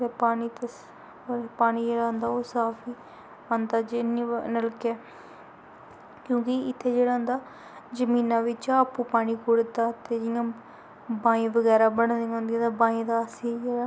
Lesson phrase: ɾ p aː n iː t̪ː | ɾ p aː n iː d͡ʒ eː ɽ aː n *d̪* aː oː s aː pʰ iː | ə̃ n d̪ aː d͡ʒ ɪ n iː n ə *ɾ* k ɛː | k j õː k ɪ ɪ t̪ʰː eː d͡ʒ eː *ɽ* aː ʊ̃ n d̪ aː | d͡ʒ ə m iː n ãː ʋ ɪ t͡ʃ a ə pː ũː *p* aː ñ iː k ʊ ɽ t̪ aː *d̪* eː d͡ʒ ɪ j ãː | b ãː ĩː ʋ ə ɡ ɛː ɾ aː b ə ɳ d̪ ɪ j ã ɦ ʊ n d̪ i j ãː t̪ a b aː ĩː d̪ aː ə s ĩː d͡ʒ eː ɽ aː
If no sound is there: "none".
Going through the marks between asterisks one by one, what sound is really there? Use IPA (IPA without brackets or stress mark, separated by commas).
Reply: d̪, l, ɽ, p, t̪